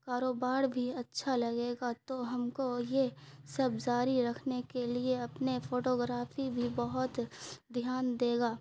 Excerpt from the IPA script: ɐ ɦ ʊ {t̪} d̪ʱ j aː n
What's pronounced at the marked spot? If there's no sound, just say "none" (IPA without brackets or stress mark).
t̪